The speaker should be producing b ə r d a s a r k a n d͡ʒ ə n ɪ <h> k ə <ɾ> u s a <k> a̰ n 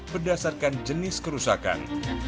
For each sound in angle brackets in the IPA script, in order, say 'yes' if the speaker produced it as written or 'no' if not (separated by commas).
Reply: no, yes, yes